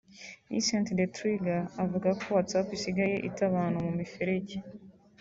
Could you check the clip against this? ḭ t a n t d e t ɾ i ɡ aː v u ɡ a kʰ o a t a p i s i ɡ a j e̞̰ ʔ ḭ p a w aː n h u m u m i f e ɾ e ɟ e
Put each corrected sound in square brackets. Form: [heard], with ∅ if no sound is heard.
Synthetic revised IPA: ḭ [s] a n t d e t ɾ i ɡ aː v u ɡ a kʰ o a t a p i s i ɡ a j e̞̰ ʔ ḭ [t] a [β] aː n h u m u m i f e ɾ e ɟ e